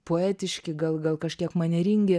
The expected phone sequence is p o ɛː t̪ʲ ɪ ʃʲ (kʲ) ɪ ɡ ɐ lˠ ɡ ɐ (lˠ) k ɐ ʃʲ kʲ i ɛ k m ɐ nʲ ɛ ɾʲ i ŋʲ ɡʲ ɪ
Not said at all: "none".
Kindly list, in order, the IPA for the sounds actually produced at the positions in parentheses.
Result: kʲ, lˠ

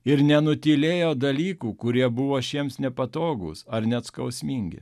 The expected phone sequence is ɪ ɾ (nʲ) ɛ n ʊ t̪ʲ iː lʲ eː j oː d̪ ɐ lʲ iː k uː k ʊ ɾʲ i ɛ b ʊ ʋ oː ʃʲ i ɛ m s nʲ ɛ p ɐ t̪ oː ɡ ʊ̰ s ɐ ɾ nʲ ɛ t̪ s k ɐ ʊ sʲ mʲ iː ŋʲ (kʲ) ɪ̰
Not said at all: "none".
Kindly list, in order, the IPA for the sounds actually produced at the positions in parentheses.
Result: nʲ, ɡʲ

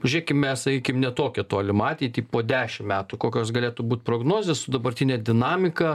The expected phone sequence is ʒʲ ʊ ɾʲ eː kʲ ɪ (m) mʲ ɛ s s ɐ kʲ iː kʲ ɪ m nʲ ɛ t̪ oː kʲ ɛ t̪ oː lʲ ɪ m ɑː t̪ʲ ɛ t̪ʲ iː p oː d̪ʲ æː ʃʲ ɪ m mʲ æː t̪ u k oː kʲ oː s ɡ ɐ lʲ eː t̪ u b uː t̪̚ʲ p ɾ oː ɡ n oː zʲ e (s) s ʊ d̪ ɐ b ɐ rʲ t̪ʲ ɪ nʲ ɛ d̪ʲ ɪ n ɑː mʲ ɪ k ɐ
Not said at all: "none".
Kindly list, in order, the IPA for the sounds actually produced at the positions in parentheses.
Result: m, s

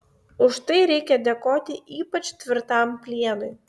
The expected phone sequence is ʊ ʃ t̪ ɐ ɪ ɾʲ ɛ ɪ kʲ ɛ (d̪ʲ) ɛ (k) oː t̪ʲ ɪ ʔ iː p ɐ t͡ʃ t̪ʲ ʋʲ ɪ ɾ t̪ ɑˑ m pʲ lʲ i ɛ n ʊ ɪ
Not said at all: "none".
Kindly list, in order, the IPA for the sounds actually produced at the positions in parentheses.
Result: d̪ʲ, k

